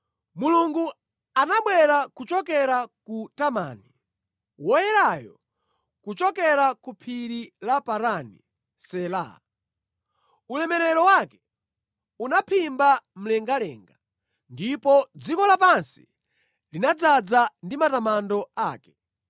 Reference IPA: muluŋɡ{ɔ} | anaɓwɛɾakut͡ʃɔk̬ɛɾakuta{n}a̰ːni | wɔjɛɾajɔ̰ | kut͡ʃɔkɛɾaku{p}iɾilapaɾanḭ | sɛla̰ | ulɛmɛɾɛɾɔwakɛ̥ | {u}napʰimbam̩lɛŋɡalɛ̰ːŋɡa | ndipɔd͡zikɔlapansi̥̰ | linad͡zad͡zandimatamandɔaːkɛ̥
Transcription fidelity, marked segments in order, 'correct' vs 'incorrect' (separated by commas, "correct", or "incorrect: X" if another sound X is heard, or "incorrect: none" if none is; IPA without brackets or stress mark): incorrect: u, incorrect: m, incorrect: pʰ, correct